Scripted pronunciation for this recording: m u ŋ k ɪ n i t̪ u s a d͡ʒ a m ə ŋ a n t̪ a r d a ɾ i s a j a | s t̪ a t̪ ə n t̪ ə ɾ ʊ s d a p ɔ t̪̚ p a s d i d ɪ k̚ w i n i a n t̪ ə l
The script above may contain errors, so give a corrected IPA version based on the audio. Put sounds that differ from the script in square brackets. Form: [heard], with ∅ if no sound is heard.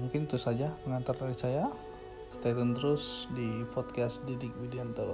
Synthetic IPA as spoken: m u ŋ k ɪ n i t̪ u s a d͡ʒ a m ə ŋ a n t̪ a r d a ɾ i s a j a | s t̪ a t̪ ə n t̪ ə ɾ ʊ s d [i] p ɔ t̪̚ [k] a s d i d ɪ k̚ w i [d] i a n t̪ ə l